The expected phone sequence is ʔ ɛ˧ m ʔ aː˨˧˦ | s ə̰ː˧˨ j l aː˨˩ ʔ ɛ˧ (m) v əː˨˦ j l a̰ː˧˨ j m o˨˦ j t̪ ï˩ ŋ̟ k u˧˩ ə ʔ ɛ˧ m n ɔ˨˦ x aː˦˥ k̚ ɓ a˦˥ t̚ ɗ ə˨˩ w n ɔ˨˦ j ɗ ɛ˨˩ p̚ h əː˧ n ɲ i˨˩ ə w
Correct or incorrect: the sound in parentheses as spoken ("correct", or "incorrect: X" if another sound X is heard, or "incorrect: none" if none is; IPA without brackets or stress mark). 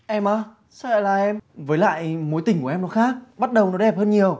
correct